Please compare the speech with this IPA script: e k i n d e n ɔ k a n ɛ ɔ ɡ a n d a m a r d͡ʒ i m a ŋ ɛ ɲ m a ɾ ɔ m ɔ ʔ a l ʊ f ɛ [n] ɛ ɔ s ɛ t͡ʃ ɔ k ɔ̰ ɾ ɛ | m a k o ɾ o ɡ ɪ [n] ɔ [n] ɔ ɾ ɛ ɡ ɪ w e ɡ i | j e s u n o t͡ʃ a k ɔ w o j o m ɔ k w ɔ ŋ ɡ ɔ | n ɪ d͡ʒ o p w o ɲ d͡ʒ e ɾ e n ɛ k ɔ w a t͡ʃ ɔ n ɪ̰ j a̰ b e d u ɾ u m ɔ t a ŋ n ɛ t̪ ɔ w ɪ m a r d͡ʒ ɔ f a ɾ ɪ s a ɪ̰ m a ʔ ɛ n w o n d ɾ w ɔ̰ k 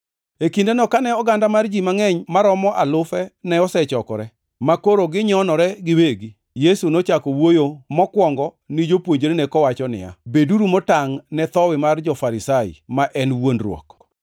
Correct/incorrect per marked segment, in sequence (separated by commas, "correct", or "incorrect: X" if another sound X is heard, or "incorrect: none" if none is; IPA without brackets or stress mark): correct, incorrect: ɲ, correct